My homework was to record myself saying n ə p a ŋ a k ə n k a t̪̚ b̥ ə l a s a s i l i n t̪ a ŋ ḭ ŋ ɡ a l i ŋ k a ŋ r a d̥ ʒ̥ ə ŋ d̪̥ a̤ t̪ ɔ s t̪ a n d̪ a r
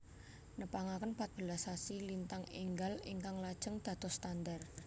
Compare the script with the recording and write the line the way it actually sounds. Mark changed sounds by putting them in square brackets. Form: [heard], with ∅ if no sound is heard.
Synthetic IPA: n ə p a ŋ a k ə n [p] a t̪̚ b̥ ə l a s a s i l i n t̪ a ŋ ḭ ŋ ɡ a l i ŋ k a ŋ [l] a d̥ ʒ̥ ə ŋ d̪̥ a̤ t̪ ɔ s t̪ a n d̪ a r